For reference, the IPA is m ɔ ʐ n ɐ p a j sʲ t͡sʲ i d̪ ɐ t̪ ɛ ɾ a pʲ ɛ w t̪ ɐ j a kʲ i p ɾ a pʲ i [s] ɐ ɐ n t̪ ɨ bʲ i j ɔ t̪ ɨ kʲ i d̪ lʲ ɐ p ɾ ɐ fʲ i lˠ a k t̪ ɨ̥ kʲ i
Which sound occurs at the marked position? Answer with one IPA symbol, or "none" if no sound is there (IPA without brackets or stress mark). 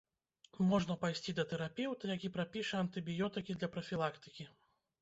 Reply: ʂ